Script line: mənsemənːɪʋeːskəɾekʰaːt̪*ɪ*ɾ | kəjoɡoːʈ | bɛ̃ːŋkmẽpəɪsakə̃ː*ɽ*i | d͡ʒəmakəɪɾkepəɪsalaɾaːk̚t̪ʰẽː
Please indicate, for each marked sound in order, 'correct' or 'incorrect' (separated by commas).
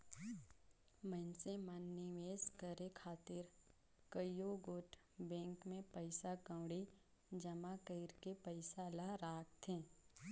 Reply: correct, correct